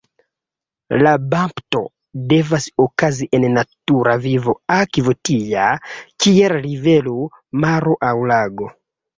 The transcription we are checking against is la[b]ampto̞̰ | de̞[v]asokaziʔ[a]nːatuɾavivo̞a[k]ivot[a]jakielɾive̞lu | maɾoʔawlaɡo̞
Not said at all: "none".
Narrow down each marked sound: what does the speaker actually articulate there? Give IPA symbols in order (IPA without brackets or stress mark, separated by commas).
b, v, e, k, i